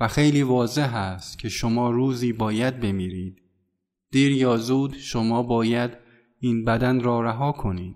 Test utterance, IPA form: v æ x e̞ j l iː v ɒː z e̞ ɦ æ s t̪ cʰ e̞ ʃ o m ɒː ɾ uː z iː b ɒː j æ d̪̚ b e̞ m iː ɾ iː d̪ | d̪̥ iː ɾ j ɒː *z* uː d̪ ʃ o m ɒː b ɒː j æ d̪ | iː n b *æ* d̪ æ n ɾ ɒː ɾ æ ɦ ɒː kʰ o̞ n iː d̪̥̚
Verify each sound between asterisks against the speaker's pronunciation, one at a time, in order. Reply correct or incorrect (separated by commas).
correct, correct